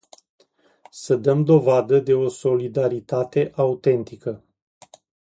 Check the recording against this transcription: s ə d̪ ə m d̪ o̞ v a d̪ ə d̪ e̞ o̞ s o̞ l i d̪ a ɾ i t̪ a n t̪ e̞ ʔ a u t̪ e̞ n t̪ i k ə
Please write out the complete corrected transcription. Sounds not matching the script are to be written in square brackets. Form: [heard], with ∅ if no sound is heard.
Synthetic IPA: s ə d̪ ə m d̪ o̞ v a d̪ ə d̪ e̞ o̞ s o̞ l i d̪ a ɾ i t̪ a [∅] t̪ e̞ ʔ a u t̪ e̞ n t̪ i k ə